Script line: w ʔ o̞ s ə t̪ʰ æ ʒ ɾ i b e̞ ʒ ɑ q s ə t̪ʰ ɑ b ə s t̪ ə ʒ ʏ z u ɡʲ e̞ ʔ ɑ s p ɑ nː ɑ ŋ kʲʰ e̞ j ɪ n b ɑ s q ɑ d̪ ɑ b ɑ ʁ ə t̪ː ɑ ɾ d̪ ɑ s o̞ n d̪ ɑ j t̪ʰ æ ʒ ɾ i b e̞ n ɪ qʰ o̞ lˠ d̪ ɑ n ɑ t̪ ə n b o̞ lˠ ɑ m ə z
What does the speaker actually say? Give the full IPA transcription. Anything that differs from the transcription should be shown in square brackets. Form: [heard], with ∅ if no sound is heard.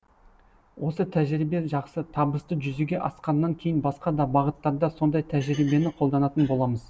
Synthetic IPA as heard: w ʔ o̞ s ə t̪ʰ æ ʒ ɾ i b e̞ ʒ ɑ q s ə t̪ʰ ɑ b ə s t̪ ə ʒ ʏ z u ɡʲ e̞ ʔ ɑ s [q] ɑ nː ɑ ŋ kʲʰ e̞ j ɪ n b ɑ s q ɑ d̪ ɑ b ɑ ʁ ə t̪ː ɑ ɾ d̪ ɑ s o̞ n d̪ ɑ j t̪ʰ æ ʒ ɾ i b e̞ n ɪ qʰ o̞ lˠ d̪ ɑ n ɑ t̪ ə n b o̞ lˠ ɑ m ə z